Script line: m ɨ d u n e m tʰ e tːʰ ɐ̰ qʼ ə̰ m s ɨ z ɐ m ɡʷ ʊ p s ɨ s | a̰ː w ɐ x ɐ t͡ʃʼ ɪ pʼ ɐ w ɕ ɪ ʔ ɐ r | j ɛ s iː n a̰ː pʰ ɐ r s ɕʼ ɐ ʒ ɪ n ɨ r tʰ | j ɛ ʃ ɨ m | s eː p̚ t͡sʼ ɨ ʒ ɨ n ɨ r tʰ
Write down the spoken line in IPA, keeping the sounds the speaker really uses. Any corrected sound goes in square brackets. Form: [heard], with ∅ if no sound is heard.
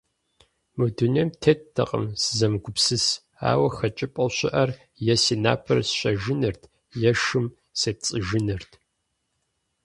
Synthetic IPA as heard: m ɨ d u n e m tʰ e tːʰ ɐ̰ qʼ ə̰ m s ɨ z ɐ m ɡʷ ʊ p s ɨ s | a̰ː w ɐ x ɐ t͡ʃʼ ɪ pʼ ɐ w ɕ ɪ ʔ ɐ r | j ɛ s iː n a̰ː pʰ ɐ r s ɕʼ ɐ ʒ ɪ n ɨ r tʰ | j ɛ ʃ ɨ m | s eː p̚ t͡sʼ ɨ ʒ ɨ n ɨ r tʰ